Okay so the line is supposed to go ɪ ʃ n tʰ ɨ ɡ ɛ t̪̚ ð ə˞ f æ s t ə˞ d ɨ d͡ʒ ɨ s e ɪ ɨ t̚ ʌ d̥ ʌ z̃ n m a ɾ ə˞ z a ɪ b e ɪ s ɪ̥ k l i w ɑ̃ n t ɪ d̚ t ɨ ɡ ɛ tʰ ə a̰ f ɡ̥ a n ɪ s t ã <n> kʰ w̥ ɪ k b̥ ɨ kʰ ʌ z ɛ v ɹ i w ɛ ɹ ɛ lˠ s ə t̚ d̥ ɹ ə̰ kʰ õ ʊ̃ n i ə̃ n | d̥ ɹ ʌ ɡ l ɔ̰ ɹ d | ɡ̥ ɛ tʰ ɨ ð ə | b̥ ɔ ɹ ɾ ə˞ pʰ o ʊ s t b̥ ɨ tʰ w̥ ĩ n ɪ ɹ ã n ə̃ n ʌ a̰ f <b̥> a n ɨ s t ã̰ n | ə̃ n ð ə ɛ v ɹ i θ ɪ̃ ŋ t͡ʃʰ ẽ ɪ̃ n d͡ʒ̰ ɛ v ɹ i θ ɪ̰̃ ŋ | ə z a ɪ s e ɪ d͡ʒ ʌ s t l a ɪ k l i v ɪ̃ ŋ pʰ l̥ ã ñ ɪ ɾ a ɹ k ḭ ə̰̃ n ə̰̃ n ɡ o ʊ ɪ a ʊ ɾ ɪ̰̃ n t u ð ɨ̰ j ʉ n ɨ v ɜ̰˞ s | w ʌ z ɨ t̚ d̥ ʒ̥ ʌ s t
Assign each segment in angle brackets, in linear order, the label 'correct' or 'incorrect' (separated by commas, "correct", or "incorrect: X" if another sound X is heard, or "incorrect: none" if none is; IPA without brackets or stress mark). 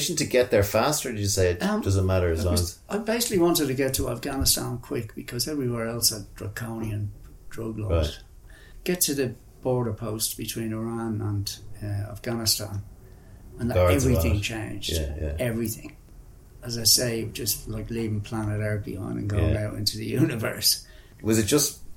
correct, incorrect: ɡ̥